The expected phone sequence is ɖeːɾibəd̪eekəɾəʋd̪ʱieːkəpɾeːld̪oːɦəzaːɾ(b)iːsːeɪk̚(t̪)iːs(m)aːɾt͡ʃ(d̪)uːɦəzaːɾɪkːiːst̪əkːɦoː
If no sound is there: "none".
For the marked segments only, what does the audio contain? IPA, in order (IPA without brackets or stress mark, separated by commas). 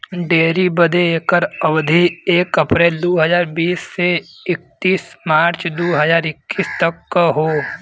b, t̪, m, d̪